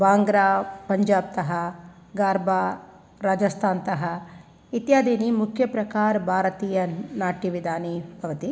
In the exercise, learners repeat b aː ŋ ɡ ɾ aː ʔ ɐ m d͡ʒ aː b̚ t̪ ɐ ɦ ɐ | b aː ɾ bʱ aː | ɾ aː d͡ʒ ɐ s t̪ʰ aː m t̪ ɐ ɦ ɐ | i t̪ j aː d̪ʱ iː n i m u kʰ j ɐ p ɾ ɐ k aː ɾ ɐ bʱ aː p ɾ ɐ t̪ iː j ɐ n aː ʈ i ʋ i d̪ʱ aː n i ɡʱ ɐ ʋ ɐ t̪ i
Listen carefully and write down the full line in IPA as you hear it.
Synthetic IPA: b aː ŋ ɡ ɾ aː p ɐ ɲ d͡ʒ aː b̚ t̪ ɐ ɦ ɐ | ɡ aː ɾ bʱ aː | ɾ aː d͡ʒ ɐ s t̪ʰ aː n t̪ ɐ ɦ ɐ | i t̪ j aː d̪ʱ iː n i m u kʰ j ɐ p ɾ ɐ k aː ɾ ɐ bʱ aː ɾ ɐ t̪ iː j ɐ n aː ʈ i ʋ i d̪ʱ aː n i bʱ ɐ ʋ ɐ t̪ i